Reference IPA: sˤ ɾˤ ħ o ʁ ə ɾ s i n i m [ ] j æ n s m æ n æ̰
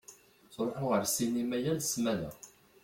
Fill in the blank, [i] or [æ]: æ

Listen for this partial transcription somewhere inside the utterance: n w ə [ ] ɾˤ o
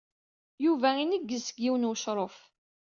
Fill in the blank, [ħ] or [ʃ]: ʃ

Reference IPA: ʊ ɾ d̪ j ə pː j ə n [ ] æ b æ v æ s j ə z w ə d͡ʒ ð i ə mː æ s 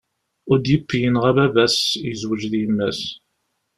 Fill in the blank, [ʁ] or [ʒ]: ʁ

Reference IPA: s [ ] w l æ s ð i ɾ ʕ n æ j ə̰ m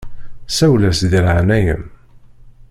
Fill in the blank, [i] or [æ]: æ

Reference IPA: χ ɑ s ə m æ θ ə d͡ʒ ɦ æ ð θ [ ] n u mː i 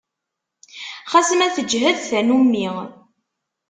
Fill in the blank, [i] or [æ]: æ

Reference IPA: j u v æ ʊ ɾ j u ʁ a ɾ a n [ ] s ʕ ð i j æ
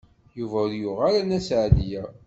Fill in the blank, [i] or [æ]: æ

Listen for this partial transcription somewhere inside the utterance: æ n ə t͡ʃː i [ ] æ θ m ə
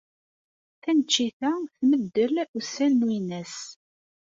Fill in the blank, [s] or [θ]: θ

